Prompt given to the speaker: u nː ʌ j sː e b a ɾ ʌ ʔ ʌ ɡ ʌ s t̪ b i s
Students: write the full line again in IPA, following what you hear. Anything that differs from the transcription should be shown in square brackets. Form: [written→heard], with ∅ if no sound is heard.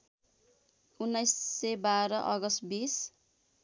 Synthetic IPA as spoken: u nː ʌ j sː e b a ɾ ʌ ʔ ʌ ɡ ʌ s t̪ b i s

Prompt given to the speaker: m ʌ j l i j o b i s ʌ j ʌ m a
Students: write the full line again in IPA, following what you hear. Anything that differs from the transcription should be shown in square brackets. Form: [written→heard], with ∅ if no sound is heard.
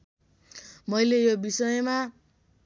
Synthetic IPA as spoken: m ʌ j l [i→e] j o b i s ʌ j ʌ m a

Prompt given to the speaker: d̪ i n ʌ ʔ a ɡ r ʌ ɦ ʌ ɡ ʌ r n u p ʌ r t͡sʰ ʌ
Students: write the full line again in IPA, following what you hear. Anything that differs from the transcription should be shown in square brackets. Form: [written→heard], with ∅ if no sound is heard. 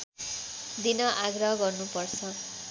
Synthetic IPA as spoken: d̪ i n ʌ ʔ a ɡ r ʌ ɦ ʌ ɡ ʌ r n u p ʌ r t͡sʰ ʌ

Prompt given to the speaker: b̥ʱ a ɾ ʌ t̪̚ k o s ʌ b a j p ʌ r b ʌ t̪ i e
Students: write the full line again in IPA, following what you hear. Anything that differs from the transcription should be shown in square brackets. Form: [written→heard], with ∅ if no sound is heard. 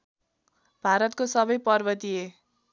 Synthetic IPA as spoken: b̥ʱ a ɾ ʌ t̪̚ k o s ʌ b [a→ʌ] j p ʌ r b ʌ t̪ i e

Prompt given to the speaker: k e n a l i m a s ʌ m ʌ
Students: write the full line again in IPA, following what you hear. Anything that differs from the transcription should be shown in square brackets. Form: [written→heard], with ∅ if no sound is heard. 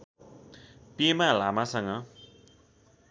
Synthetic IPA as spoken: [k→p] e [n→m] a l [i→a] m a s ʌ [m→ŋ] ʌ

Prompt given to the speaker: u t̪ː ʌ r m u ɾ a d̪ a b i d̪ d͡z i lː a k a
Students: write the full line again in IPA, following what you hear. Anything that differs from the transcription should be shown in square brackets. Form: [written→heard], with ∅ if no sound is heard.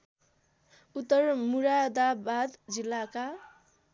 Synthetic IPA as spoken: u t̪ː ʌ r m u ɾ a d̪ a b [i→a] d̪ d͡z i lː a k a

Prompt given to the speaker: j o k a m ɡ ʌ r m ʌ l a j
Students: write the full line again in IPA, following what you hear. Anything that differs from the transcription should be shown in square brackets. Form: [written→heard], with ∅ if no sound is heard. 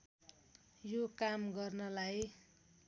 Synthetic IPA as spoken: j o k a m ɡ ʌ r [m→n] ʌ l a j

